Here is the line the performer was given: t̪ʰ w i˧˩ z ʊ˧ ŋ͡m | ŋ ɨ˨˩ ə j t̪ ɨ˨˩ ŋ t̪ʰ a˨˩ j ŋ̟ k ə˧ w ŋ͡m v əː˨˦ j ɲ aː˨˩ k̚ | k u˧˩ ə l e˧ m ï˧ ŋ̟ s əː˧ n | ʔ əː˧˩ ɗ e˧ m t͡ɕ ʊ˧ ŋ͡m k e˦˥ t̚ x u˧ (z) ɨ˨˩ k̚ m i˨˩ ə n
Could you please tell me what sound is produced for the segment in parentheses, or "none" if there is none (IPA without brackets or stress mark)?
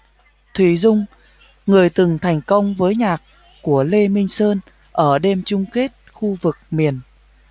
v